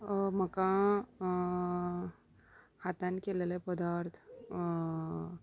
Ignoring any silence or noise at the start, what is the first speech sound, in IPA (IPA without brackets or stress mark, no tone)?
m